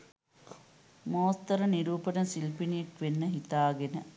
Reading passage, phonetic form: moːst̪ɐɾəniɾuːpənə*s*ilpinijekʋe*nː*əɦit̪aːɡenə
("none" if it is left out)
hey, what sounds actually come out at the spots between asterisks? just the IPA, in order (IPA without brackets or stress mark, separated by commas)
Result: s, nː